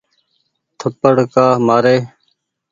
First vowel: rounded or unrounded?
unrounded